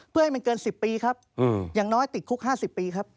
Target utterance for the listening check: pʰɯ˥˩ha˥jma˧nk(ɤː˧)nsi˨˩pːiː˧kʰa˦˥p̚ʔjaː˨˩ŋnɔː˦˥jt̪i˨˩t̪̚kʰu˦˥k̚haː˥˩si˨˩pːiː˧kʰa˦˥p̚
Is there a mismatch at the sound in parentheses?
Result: no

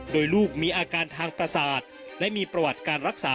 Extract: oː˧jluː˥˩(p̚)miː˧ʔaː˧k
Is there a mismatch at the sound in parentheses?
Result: yes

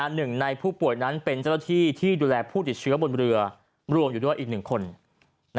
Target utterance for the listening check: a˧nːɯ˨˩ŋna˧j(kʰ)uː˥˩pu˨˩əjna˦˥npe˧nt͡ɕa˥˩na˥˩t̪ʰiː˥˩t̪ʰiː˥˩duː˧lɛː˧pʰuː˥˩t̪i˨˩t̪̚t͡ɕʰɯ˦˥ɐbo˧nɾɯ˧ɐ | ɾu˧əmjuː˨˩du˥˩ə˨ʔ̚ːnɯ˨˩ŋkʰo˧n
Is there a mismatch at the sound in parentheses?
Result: yes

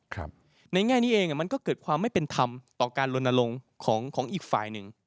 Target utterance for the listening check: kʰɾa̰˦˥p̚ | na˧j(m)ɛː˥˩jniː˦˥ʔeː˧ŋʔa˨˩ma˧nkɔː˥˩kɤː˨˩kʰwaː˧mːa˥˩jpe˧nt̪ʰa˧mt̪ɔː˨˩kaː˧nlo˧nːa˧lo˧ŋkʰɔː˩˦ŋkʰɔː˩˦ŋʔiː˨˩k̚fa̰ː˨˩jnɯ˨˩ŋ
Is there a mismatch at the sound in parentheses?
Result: yes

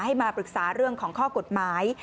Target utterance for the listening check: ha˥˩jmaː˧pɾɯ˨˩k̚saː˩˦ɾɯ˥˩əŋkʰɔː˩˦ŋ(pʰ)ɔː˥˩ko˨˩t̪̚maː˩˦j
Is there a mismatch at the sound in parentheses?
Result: yes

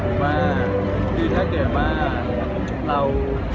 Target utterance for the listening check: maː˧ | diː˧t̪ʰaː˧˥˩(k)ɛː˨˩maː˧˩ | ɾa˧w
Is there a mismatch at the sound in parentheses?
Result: no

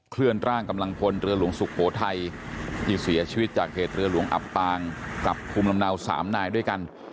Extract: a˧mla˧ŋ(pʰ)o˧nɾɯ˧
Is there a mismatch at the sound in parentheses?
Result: no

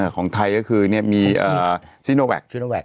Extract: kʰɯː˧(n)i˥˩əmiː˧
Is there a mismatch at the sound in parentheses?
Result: no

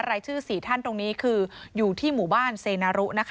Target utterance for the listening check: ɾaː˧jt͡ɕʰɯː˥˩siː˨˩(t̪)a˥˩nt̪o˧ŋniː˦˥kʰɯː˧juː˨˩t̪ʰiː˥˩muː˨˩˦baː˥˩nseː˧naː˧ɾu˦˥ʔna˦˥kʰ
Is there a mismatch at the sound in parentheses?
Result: yes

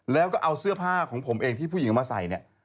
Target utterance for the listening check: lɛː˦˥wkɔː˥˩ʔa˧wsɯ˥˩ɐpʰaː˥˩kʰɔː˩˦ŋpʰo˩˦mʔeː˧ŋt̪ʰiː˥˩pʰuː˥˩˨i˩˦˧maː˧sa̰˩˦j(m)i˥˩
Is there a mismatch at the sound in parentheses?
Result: yes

